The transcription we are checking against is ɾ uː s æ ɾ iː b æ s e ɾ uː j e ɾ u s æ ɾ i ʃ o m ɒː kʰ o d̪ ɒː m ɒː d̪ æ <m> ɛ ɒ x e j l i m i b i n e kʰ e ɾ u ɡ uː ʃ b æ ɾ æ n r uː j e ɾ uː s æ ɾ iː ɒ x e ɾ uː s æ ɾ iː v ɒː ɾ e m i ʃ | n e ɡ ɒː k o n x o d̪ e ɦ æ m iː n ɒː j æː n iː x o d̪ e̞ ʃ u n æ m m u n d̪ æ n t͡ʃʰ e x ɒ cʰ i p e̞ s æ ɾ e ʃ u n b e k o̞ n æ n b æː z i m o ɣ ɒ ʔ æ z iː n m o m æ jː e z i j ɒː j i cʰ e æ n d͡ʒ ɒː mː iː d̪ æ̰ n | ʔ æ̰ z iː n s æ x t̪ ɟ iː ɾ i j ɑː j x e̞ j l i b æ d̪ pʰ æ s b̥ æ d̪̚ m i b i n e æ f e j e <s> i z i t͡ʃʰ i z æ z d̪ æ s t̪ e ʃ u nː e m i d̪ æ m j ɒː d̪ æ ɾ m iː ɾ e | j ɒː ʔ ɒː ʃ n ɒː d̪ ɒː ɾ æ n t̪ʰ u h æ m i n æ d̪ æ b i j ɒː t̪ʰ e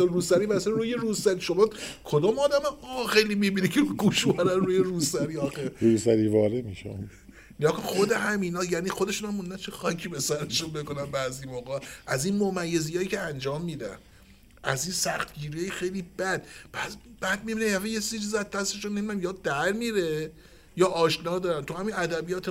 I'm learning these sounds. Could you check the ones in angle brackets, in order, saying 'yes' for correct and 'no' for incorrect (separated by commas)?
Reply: yes, yes